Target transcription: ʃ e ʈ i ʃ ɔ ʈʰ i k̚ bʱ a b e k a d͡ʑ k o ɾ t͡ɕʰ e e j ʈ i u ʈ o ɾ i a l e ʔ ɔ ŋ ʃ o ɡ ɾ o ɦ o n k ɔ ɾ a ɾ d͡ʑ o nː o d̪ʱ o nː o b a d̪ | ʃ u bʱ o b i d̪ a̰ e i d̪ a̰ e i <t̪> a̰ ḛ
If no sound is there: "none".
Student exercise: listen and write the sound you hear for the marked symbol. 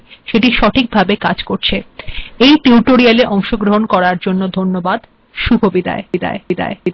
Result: d̪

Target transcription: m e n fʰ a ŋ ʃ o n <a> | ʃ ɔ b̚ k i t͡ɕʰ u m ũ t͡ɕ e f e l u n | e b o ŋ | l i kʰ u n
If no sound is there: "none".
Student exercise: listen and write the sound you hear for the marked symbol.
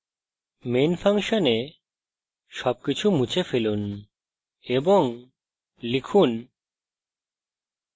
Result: e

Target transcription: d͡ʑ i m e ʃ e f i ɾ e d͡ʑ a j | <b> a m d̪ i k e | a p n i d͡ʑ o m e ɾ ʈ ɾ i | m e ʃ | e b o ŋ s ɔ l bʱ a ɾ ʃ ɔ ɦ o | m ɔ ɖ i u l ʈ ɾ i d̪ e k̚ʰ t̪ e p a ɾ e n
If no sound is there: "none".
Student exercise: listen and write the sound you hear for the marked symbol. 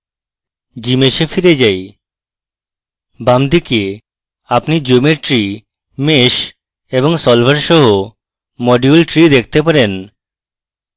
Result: b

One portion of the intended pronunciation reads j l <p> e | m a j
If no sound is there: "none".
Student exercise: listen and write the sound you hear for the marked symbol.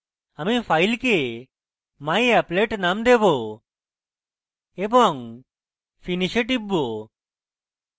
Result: k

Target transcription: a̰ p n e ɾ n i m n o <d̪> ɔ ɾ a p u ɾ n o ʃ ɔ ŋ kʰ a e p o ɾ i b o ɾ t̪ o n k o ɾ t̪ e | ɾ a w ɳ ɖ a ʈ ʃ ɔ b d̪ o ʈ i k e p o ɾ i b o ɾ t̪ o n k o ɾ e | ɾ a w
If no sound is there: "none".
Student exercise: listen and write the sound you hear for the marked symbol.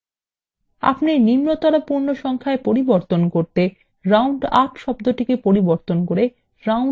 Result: t̪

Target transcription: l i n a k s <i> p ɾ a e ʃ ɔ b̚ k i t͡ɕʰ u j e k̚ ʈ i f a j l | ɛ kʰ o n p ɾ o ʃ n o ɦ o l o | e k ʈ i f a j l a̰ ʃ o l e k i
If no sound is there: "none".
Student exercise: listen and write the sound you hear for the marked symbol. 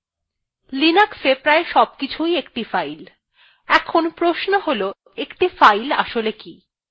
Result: e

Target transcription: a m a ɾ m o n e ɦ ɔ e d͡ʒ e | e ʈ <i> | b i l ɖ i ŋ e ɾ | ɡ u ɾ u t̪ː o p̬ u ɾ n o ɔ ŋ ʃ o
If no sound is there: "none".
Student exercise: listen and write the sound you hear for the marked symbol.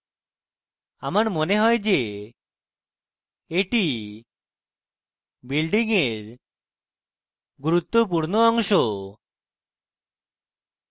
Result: i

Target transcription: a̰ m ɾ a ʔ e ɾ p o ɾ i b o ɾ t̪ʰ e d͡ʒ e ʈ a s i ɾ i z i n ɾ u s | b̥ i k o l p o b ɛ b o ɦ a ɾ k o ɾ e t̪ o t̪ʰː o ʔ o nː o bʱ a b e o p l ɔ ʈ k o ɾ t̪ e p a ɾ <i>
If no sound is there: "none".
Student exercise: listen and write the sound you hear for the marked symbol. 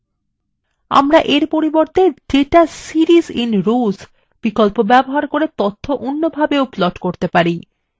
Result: i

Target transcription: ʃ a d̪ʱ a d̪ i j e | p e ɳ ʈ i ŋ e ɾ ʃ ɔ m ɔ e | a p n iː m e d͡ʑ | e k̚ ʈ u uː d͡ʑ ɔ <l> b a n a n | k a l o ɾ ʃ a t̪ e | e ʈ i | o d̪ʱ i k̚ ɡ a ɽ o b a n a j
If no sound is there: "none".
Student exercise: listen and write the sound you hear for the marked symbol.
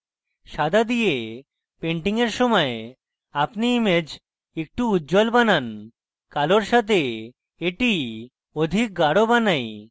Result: l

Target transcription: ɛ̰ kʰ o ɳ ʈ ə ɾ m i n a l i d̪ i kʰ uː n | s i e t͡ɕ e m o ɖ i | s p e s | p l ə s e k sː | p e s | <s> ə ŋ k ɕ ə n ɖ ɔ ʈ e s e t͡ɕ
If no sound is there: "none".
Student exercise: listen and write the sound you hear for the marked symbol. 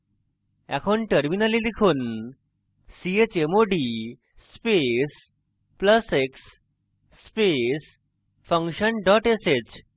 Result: f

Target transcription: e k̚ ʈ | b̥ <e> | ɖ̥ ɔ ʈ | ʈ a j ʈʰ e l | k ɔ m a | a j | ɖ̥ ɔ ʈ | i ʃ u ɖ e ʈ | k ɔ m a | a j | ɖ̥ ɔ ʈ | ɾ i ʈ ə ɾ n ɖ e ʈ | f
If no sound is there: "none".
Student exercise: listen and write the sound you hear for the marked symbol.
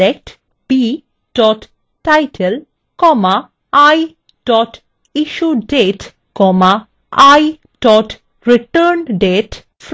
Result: i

